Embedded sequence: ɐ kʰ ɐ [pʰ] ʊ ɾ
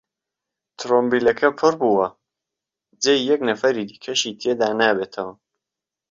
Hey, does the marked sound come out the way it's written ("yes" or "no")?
yes